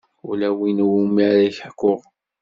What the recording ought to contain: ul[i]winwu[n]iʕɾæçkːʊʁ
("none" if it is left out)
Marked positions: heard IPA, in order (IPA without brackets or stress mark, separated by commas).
æ, m